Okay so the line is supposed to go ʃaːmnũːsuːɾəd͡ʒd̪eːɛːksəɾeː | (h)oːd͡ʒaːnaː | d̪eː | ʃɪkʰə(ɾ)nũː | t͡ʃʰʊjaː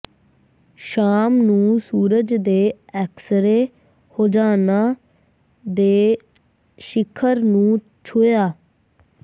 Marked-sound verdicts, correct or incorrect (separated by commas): correct, correct